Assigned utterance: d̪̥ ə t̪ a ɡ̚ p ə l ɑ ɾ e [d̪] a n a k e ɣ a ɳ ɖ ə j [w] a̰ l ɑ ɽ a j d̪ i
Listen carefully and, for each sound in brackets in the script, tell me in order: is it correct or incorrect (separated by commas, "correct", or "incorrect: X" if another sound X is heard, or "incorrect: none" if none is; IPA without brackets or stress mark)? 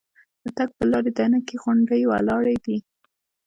correct, correct